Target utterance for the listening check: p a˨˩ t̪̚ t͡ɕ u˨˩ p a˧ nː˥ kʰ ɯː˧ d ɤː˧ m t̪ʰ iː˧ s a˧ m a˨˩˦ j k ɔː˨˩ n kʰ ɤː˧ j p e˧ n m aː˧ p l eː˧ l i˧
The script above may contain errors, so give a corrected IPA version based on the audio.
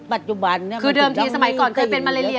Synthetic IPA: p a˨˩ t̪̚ t͡ɕ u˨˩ b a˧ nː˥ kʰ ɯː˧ d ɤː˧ m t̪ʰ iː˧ s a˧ m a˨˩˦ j k ɔː˨˩ n kʰ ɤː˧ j p e˧ n m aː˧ l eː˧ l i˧